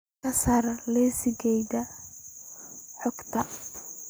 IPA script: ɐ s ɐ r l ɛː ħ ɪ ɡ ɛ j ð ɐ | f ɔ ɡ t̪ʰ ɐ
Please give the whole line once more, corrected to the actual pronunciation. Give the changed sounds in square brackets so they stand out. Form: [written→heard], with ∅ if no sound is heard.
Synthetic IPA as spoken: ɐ s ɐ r l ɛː [ħ→s] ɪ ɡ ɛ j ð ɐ | [f→ħ] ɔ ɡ t̪ʰ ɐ